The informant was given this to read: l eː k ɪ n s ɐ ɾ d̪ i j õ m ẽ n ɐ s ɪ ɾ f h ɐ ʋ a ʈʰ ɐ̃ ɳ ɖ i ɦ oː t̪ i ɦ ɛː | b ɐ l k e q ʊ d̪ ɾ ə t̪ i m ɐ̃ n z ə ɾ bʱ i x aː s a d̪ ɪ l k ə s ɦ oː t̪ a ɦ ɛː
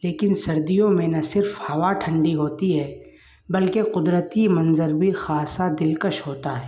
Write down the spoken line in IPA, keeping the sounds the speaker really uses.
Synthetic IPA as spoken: l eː k ɪ n s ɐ ɾ d̪ i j õ m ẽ n ɐ s ɪ ɾ f h ɐ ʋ a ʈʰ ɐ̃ ɳ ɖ i ɦ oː t̪ i ɦ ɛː | b ɐ l k e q ʊ d̪ ɾ ə t̪ i m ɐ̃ n z ə ɾ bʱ i x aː s a d̪ ɪ l k ə ʃ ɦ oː t̪ a ɦ ɛː

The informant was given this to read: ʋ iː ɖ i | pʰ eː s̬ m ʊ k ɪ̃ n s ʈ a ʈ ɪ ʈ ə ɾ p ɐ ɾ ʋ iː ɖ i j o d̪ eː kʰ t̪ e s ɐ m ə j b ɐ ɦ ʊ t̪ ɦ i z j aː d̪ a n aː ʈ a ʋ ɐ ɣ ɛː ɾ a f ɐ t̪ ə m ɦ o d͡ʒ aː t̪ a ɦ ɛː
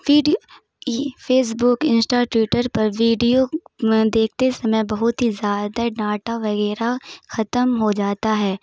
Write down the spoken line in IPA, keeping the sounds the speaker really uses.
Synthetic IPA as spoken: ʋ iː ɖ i | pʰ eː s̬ b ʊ k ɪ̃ n s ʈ a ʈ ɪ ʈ ə ɾ p ɐ ɾ ʋ iː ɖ i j o d̪ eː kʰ t̪ e s ɐ m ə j b ɐ ɦ ʊ t̪ ɦ i z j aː d̪ a n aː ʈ a ʋ ɐ ɣ ɛː ɾ a x ɐ t̪ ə m ɦ o d͡ʒ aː t̪ a ɦ ɛː

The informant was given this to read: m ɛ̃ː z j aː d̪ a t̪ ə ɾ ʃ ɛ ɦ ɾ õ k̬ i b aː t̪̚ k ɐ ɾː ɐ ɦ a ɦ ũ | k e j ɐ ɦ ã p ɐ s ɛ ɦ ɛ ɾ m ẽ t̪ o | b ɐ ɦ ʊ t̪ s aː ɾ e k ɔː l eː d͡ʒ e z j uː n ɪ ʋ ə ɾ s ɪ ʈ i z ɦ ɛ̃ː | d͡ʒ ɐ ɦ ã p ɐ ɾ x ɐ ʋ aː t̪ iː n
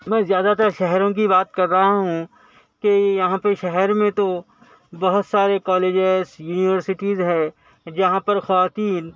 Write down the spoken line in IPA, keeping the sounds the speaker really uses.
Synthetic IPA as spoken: m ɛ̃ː z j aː d̪ a t̪ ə ɾ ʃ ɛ ɦ ɾ õ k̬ i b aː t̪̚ k ɐ ɾː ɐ ɦ a ɦ ũ | k e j ɐ ɦ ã p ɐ ʃ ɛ ɦ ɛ ɾ m ẽ t̪ o | b ɐ ɦ ʊ t̪ s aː ɾ e k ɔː l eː d͡ʒ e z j uː n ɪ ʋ ə ɾ s ɪ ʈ i z ɦ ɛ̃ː | d͡ʒ ɐ ɦ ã p ɐ ɾ x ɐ ʋ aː t̪ iː n

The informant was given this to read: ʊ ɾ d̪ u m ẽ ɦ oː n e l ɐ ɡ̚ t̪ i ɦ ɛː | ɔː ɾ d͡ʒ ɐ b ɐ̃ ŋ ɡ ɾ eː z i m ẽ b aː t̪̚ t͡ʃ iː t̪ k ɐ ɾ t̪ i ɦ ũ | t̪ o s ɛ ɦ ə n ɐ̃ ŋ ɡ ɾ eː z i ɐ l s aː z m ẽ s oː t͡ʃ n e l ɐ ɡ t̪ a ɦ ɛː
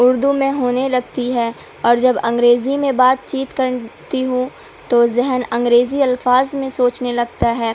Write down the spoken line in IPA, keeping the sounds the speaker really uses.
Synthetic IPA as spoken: ʊ ɾ d̪ u m ẽ ɦ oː n e l ɐ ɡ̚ t̪ i ɦ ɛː | ɔː ɾ d͡ʒ ɐ b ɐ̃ ŋ ɡ ɾ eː z i m ẽ b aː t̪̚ t͡ʃ iː t̪ k ɐ ɾ t̪ i ɦ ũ | t̪ o z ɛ ɦ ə n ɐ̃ ŋ ɡ ɾ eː z i ɐ l f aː z m ẽ s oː t͡ʃ n e l ɐ ɡ t̪ a ɦ ɛː

